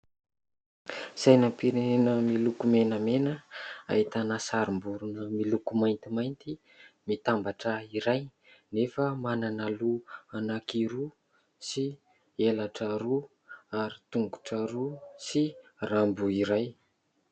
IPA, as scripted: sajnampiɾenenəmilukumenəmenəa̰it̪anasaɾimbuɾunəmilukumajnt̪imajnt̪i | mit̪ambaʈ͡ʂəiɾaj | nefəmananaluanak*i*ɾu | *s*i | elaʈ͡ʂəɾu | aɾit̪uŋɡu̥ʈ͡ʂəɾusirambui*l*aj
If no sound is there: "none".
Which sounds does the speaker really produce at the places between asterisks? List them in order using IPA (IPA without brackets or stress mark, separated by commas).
i, s, ɾ